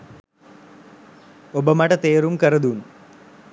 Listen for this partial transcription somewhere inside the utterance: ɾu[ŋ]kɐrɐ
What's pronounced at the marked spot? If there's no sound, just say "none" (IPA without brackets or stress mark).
m